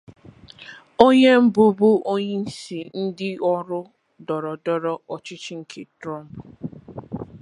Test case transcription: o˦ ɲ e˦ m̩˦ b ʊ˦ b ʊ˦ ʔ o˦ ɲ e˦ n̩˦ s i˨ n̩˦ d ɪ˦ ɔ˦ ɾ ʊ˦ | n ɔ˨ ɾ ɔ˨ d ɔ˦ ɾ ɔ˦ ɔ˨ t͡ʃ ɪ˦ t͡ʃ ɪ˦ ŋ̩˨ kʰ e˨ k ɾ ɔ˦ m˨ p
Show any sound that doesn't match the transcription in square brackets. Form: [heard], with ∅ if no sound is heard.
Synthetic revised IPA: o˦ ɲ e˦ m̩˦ b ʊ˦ b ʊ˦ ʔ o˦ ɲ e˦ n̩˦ s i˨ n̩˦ d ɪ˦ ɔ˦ ɾ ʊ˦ | [d] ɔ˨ ɾ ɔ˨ d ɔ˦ ɾ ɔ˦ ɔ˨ t͡ʃ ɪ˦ t͡ʃ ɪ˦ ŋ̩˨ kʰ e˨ [t] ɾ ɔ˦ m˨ p

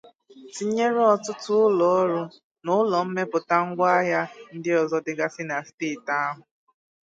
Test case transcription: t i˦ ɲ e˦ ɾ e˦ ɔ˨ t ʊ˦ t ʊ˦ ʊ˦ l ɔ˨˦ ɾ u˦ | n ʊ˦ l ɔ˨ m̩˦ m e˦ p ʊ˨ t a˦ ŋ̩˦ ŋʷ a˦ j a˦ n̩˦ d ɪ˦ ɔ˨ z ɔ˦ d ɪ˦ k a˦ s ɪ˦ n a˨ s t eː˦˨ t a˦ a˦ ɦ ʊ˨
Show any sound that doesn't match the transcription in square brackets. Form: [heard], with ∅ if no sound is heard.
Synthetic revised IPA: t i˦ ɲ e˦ ɾ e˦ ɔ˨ t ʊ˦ t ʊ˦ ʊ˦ l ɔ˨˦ ɾ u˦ | n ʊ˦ l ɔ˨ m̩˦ m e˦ p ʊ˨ t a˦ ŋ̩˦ [ɡʷ] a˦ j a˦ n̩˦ d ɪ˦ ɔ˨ z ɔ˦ d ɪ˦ [ɡ] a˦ s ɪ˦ n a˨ s t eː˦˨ t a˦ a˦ ɦ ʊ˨

